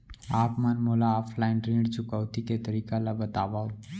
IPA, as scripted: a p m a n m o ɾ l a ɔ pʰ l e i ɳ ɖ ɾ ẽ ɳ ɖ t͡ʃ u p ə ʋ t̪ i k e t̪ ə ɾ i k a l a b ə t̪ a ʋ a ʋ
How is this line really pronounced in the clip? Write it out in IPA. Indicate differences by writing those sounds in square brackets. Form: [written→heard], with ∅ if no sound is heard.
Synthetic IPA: a p m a n m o [ɾ→∅] l a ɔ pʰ l [e→a] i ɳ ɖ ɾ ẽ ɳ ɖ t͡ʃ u [p→k] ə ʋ t̪ i k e t̪ ə ɾ i k a l a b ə t̪ a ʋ a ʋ